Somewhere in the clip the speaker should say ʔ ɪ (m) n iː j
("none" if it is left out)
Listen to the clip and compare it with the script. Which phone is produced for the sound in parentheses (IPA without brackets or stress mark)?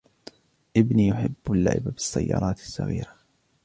b